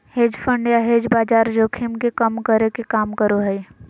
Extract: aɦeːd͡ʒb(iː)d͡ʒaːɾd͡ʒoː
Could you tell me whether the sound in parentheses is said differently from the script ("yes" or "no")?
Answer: yes